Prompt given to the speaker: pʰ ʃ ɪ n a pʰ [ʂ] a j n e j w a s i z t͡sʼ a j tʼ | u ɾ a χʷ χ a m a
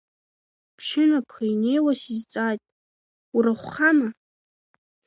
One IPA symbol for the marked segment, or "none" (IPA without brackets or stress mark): χ